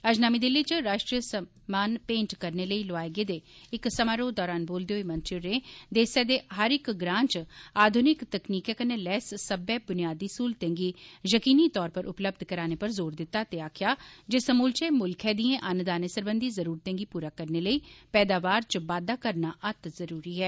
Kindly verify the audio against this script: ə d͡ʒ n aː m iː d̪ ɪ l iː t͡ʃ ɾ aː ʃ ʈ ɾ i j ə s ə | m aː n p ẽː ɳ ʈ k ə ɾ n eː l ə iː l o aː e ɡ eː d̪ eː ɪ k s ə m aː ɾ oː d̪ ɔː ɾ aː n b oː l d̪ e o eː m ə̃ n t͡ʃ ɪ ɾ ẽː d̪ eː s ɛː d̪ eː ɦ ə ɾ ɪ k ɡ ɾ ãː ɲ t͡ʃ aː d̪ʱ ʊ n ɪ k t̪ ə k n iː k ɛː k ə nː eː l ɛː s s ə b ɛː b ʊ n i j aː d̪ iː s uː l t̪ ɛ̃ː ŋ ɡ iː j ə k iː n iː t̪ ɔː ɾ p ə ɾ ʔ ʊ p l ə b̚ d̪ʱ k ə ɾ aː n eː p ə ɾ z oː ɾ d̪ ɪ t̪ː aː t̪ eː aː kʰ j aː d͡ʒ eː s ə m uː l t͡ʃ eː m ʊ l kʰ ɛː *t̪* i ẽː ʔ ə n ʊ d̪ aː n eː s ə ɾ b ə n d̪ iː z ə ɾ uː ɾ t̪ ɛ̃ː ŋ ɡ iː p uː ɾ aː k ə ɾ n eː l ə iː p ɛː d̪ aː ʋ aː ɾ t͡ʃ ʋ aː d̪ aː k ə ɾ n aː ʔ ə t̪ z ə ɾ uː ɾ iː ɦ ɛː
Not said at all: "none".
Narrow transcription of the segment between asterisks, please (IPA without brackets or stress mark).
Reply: d̪